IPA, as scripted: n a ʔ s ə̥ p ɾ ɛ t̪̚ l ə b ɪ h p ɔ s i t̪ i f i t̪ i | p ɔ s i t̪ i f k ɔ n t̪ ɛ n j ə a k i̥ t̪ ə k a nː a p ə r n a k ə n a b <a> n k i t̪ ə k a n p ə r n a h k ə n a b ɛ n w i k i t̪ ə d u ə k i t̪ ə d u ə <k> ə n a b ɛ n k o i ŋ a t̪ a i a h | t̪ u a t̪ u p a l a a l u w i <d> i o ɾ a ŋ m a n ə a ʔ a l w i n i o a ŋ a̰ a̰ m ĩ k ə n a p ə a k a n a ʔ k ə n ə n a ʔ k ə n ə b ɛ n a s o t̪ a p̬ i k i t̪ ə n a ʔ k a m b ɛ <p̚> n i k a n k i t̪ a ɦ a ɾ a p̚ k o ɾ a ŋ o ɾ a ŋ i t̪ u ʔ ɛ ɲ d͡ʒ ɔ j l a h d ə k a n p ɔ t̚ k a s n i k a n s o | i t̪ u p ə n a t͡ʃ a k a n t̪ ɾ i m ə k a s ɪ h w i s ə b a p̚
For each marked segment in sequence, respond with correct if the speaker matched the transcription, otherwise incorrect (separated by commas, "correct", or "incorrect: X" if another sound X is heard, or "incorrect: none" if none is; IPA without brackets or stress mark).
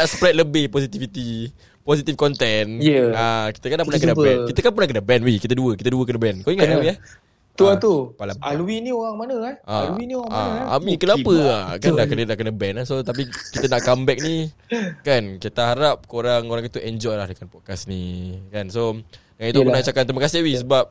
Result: incorrect: ɛ, correct, incorrect: n, incorrect: k̚